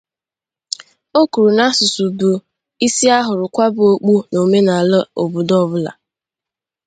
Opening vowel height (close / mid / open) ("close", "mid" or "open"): mid